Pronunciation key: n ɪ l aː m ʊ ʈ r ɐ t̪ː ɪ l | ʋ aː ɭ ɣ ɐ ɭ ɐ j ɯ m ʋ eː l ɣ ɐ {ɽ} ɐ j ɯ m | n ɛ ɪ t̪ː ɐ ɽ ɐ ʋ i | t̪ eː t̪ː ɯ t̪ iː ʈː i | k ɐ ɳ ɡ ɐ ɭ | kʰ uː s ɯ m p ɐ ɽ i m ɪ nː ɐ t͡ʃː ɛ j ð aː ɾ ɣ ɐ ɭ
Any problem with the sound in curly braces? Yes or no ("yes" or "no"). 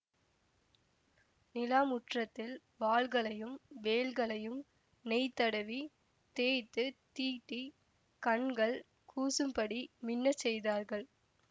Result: yes